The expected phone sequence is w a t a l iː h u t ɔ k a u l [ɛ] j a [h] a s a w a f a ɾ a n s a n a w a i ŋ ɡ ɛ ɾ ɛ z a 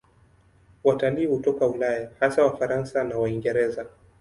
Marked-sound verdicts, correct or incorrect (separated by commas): incorrect, correct